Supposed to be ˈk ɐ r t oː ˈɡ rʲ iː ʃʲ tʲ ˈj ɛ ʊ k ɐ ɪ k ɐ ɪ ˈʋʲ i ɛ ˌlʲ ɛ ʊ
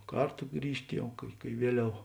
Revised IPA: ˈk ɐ r t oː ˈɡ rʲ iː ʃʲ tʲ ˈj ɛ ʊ k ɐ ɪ k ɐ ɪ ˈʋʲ i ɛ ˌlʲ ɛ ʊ

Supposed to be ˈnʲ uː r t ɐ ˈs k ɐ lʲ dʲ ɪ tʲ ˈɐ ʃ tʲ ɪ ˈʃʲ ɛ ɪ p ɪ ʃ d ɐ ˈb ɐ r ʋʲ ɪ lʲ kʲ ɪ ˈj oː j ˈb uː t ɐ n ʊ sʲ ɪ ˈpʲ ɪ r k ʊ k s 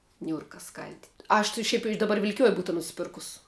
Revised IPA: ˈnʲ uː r k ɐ ˈs k ɐ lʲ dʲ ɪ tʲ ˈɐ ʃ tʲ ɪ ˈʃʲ ɛ ɪ p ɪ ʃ d ɐ ˈb ɐ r ʋʲ ɪ lʲ kʲ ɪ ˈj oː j ˈb uː t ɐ n ʊ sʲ ɪ ˈpʲ ɪ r k ʊ s

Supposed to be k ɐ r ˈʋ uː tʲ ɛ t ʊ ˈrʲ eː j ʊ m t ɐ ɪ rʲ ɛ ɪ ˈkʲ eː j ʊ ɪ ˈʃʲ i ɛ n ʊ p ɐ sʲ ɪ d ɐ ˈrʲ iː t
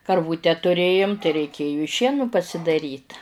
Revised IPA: k ɐ r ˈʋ uː tʲ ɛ t ʊ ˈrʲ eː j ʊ m t ɐ ɪ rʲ ɛ ɪ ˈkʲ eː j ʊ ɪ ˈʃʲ i ɛ n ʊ p ɐ sʲ ɪ d ɐ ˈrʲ iː t

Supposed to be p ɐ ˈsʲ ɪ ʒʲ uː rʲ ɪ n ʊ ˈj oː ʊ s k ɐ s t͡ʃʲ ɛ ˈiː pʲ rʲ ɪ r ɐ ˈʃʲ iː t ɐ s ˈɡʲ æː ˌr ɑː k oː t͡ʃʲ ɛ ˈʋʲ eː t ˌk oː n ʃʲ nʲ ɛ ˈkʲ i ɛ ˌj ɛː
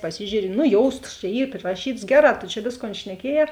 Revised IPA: p ɐ ˈsʲ ɪ ʒʲ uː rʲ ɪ n ʊ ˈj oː ʊ s t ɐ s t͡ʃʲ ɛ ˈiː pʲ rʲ ɪ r ɐ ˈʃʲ iː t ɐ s ˈɡʲ æː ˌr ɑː t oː t͡ʃʲ ɛ ˈʋʲ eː s ˌk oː n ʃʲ nʲ ɛ ˈkʲ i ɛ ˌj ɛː

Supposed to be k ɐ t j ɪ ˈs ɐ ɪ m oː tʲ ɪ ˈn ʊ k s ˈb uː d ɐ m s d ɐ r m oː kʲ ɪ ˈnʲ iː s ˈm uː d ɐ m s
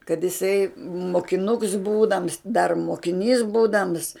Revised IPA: k ɐ t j ɪ ˈs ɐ ɪ m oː kʲ ɪ ˈn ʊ k s ˈb uː d ɐ m s d ɐ r m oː kʲ ɪ ˈnʲ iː s ˈb uː d ɐ m s

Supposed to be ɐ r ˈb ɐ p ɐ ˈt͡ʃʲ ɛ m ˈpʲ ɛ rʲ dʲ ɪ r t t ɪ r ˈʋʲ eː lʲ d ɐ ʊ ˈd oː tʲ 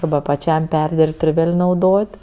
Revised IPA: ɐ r ˈb ɐ p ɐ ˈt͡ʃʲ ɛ m ˈpʲ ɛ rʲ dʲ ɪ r p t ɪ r ˈʋʲ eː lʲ n ɐ ʊ ˈd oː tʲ

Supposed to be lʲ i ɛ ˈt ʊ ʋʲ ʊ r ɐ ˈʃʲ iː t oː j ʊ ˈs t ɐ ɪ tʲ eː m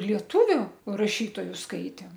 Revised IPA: lʲ i ɛ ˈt ʊ ʋʲ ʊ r ɐ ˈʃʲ iː t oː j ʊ ˈs k ɐ ɪ tʲ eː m

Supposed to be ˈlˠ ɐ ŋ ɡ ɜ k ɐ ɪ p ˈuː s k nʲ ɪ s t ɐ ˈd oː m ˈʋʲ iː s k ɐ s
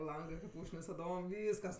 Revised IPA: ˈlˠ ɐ ŋ ɡ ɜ k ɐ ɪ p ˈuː ʃ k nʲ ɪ s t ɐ ˈd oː m ˈʋʲ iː s k ɐ s

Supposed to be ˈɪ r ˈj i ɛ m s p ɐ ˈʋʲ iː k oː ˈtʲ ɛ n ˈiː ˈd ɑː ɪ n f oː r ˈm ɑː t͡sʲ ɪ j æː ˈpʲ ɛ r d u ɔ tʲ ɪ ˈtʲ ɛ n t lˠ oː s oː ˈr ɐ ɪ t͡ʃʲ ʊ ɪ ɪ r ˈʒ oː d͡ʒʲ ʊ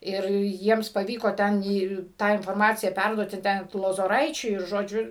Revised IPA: ˈɪ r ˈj i ɛ m s p ɐ ˈʋʲ iː k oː ˈtʲ ɛ n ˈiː ˈt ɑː ɪ n f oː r ˈm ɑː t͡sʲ ɪ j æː ˈpʲ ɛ r d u ɔ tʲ ɪ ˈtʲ ɛ n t lˠ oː z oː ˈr ɐ ɪ t͡ʃʲ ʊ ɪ ɪ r ˈʒ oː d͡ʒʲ ʊ

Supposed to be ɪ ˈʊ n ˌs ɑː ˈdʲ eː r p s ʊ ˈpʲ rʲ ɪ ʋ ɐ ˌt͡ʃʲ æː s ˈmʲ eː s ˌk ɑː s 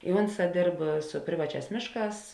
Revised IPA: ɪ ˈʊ n ˌs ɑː ˈdʲ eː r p s ʊ ˈpʲ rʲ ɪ ʋ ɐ ˌt͡ʃʲ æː s ˈmʲ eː ʃ ˌk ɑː s

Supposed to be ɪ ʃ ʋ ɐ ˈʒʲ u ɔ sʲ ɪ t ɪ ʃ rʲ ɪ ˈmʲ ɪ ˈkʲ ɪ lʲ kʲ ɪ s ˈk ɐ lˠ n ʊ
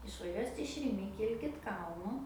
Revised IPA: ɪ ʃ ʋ ɐ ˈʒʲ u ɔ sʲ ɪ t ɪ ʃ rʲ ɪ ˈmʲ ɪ ˈkʲ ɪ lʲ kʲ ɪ t ˈk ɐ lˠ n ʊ

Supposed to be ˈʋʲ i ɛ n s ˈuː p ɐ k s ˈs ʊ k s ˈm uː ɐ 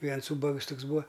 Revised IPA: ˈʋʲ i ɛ n s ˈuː b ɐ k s ˈt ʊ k s ˈb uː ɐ

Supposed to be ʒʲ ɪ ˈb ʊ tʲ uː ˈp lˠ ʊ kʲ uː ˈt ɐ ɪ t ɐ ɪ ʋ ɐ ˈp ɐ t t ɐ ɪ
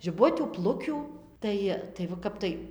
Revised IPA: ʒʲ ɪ ˈb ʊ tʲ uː ˈp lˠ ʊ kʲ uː ˈt ɐ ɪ t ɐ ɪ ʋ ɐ ˈk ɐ p t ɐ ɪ

